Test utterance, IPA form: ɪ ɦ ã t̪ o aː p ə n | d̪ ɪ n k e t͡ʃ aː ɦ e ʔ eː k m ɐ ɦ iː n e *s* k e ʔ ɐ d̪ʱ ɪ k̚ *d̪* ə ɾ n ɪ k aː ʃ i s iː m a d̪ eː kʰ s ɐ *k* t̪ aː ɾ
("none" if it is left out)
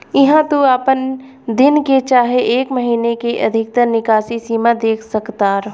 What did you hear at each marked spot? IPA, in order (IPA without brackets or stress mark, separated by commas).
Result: none, t̪, k